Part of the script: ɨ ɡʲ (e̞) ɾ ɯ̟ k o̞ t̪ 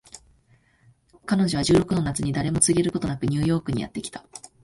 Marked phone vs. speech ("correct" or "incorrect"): correct